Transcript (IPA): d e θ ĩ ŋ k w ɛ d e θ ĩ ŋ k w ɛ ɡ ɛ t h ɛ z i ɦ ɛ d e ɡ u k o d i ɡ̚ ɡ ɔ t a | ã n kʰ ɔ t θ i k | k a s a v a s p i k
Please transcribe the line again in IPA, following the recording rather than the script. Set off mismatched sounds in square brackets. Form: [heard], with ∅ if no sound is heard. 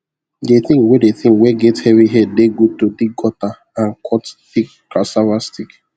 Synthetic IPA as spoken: d e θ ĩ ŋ k w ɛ d e θ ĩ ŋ k w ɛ ɡ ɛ t h ɛ [v] i ɦ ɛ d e ɡ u [t] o d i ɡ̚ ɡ ɔ t a | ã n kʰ ɔ t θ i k | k a s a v a s [t] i k